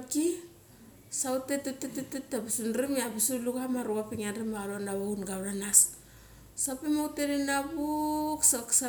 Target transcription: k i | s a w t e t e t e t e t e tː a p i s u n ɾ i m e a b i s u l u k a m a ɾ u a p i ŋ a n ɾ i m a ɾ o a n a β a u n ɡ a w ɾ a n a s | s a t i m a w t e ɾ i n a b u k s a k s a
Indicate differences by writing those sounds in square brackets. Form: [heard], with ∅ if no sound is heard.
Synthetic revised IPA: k i | s a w t e t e t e t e t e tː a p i s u n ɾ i m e a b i s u l u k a m a ɾ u a p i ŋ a n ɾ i m a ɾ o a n a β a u n ɡ a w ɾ a n a s | s a [p] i m a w t e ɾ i n a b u k s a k s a